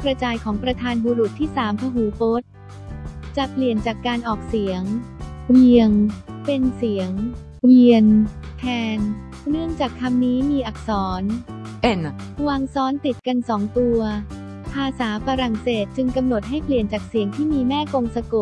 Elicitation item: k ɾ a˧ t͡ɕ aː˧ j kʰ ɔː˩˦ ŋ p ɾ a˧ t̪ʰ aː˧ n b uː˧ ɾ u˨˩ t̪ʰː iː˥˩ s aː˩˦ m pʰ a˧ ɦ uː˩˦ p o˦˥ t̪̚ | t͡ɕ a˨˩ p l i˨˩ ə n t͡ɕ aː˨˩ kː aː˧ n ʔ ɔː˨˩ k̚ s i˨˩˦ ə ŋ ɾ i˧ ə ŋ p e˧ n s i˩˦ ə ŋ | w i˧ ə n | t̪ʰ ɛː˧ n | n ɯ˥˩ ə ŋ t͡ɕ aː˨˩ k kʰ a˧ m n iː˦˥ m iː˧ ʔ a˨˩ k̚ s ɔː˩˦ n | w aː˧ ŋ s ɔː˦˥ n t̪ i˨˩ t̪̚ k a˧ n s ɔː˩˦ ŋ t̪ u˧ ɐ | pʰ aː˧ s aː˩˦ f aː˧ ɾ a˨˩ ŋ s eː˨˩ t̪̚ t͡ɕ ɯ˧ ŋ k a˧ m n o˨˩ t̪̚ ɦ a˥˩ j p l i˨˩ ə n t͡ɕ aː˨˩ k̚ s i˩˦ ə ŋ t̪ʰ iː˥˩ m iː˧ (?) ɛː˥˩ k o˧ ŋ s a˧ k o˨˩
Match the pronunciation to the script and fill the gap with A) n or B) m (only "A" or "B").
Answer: B